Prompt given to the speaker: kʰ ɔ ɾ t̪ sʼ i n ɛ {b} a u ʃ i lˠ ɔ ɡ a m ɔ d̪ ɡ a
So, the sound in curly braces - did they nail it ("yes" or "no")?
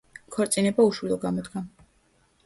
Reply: yes